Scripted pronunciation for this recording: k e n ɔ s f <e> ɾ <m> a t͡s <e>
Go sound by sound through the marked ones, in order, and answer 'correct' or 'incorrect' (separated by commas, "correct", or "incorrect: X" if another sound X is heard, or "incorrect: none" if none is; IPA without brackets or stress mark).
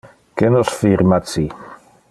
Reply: incorrect: i, correct, incorrect: i